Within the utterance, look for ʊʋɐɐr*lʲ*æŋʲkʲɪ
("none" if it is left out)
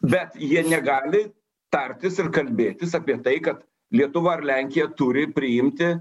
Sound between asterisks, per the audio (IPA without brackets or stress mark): lʲ